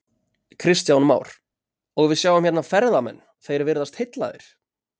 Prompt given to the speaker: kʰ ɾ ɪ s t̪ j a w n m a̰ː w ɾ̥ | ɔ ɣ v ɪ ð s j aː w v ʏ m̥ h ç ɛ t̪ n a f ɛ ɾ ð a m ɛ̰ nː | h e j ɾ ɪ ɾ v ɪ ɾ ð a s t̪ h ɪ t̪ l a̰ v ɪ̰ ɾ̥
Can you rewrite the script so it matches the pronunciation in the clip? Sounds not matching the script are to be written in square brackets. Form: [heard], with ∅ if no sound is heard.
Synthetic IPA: kʰ ɾ ɪ s t̪ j a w n m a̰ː w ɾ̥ | ɔ ɣ v ɪ ð s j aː w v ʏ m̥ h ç ɛ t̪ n a f ɛ ɾ ð a m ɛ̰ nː | [θ] e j ɾ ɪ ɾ v ɪ ɾ ð a s t̪ h ɪ t̪ l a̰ [ð] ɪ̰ ɾ̥